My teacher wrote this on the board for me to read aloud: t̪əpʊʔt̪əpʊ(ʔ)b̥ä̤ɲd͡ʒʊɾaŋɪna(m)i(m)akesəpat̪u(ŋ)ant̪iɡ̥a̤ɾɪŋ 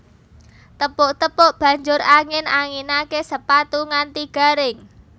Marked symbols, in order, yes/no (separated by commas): yes, no, no, yes